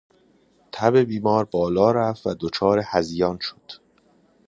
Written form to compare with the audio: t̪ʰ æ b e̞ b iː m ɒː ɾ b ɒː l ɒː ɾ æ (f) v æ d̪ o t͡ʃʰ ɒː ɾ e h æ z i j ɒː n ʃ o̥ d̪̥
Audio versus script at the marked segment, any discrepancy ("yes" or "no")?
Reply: no